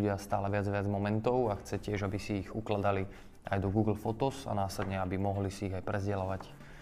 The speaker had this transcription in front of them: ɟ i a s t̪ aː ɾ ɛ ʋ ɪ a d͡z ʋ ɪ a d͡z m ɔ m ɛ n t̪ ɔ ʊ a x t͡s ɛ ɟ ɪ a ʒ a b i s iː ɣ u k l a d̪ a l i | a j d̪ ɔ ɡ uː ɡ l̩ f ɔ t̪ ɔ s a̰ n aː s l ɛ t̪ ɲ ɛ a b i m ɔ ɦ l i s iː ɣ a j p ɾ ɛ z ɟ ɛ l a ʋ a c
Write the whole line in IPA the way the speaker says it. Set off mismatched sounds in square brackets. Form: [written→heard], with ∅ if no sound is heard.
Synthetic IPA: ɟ [i→ɪ] a s t̪ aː [ɾ→l] ɛ ʋ ɪ a d͡z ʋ ɪ a d͡z m ɔ m ɛ n t̪ ɔ ʊ a x t͡s ɛ [ɟ→c] ɪ [a→ɛ] ʒ a b i s iː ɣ u k l a d̪ a l i | a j d̪ ɔ ɡ uː ɡ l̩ f ɔ t̪ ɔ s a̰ n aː s l ɛ [t̪→d̪] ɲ ɛ a b i m ɔ ɦ l i s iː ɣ a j p ɾ ɛ z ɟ ɛ l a ʋ a c